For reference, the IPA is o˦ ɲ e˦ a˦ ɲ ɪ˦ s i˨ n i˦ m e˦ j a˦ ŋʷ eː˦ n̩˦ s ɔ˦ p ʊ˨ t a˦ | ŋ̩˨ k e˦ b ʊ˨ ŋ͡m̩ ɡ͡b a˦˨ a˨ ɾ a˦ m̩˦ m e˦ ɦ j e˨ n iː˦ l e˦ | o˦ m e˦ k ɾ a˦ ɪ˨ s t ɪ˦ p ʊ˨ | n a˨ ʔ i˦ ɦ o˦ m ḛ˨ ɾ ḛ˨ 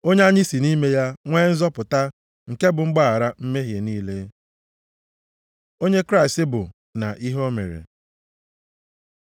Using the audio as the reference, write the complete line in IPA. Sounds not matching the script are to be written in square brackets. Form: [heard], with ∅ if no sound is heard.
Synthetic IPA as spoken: o˦ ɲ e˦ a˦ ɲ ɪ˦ s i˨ n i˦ m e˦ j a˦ ŋʷ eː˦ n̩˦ [z] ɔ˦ p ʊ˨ t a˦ | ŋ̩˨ k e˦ b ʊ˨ ŋ͡m̩ ɡ͡b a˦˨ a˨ ɾ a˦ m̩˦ m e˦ ɦ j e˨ n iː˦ l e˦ | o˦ [ɲ] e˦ k ɾ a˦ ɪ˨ s t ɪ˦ [b] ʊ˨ | n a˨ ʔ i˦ ɦ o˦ m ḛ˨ ɾ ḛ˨